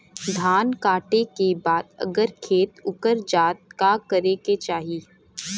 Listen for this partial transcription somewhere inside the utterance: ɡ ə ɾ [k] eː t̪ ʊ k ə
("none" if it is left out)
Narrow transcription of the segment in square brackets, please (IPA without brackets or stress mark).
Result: kʰ